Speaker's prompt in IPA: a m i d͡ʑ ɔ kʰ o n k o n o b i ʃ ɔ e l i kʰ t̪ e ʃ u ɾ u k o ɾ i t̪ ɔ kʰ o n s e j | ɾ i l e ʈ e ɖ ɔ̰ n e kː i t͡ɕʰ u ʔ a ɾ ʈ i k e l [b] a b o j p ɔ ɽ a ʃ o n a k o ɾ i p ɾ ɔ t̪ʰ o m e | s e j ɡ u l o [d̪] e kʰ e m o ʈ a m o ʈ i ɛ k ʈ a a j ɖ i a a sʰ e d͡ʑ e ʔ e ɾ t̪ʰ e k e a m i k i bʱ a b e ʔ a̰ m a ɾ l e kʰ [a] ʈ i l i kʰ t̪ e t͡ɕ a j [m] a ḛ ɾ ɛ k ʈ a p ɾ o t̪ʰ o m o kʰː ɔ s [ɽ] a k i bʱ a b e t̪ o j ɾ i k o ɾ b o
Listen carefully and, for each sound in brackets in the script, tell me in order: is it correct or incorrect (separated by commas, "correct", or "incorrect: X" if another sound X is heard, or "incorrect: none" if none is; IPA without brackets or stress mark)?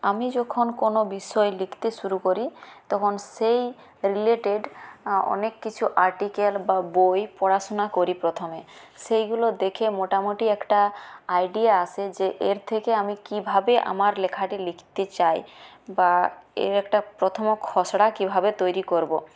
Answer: correct, correct, correct, incorrect: b, correct